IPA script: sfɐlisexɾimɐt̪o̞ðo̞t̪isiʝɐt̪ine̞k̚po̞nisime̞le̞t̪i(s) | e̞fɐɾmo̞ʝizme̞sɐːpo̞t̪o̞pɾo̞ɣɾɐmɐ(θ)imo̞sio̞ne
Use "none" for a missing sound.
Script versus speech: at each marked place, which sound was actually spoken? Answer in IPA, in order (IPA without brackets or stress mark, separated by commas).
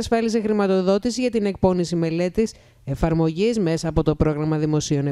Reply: s, ð